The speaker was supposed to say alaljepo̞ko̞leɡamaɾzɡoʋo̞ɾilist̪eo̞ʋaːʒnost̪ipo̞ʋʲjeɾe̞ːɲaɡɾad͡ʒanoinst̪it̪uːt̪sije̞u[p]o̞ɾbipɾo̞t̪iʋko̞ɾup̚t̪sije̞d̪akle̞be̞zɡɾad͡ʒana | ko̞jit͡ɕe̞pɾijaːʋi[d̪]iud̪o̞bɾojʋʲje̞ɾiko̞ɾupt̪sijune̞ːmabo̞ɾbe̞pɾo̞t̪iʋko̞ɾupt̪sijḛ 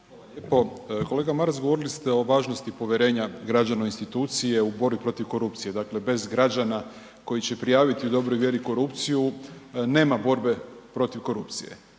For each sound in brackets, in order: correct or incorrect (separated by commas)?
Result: incorrect, incorrect